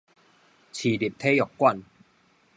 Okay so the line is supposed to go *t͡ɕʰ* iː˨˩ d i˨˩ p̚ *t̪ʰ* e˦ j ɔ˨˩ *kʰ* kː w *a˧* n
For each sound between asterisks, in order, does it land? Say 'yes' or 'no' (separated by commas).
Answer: yes, yes, no, no